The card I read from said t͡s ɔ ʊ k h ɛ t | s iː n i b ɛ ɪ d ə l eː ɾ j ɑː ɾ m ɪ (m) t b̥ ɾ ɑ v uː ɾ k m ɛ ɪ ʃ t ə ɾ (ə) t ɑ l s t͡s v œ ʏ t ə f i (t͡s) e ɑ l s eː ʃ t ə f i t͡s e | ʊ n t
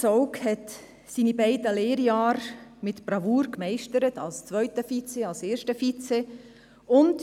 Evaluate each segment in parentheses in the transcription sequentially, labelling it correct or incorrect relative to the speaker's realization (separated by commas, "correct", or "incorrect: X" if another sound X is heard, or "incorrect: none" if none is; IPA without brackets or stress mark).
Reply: incorrect: none, correct, correct